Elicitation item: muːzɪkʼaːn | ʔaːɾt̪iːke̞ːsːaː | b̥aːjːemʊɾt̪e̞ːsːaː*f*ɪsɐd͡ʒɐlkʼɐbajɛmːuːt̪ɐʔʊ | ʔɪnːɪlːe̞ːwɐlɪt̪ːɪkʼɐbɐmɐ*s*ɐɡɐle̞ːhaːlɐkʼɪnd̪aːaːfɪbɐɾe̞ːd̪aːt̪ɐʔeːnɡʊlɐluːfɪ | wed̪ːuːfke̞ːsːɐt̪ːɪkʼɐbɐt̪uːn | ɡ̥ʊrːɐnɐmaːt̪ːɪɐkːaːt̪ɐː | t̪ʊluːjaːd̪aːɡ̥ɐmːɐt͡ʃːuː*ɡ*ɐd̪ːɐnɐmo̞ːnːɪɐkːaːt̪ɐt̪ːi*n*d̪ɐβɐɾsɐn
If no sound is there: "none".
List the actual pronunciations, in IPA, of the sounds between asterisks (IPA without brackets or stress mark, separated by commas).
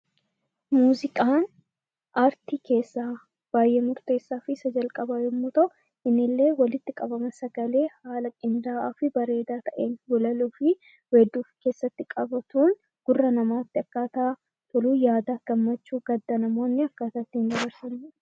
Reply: f, s, ɡ, n